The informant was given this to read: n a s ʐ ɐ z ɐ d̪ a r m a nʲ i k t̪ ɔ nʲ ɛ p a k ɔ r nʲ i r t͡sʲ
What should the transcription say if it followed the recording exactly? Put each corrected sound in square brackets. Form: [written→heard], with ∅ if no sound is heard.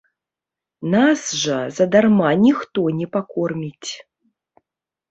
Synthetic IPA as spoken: n a s ʐ ɐ z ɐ d̪ a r m a nʲ i [k→x] t̪ ɔ nʲ ɛ p a k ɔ r [nʲ→mʲ] i [r→∅] t͡sʲ